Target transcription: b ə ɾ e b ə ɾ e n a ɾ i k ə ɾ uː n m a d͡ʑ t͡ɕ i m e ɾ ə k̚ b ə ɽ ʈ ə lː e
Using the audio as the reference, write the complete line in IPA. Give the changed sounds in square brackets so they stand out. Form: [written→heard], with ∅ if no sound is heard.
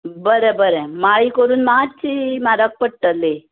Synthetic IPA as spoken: b ə ɾ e b ə ɾ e [n→m] a [ɾ→ɭ] i k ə ɾ uː n m a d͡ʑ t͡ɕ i m [e→a] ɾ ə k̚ [b→p] ə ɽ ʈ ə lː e